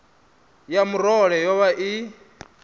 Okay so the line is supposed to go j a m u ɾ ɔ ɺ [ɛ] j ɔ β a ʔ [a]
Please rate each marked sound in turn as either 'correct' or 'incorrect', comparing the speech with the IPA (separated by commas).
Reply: correct, incorrect